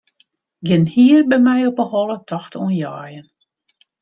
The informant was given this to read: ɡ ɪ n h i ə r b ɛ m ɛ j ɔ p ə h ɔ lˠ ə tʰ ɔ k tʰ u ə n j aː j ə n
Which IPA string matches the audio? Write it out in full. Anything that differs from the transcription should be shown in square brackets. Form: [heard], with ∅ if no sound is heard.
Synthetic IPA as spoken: ɡ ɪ n h i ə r b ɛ m ɛ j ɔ p ə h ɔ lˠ ə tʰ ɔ [x] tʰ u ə n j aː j ə n